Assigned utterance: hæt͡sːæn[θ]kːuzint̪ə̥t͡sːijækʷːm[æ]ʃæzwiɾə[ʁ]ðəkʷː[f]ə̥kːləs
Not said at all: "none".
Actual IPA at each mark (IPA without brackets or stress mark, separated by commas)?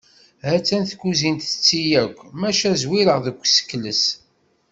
θ, æ, ʁ, s